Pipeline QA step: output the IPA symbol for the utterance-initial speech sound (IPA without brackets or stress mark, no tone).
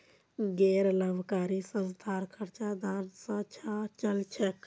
ɡ